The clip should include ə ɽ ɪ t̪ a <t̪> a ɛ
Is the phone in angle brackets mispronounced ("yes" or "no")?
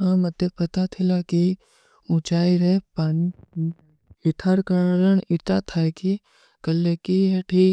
yes